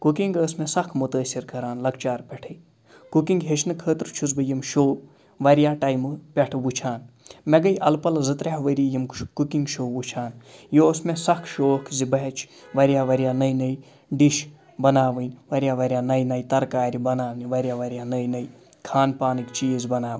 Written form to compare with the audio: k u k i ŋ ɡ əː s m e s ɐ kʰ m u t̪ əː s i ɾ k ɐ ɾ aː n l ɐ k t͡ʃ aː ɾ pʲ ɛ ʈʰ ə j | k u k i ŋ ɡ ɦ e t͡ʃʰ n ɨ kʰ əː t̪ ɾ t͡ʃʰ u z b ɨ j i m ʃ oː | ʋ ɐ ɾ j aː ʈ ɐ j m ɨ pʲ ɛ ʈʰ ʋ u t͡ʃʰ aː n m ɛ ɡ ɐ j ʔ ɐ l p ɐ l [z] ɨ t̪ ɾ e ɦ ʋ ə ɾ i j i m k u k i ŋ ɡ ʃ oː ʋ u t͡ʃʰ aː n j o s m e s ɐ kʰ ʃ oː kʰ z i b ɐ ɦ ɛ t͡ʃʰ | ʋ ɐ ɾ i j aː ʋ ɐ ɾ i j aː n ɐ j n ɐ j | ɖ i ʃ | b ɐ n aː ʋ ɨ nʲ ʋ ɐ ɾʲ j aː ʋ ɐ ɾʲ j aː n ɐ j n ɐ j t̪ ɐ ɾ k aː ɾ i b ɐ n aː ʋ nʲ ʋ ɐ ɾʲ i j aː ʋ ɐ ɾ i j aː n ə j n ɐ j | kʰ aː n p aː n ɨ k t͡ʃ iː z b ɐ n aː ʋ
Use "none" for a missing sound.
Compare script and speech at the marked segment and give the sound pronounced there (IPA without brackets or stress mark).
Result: z